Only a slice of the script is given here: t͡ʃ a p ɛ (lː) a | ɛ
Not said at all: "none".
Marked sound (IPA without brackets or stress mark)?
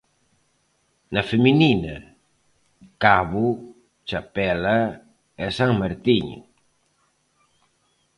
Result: l